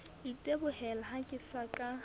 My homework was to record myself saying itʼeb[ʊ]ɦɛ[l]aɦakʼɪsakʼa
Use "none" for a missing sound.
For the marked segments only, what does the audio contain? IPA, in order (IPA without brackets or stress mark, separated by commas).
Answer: ʊ, l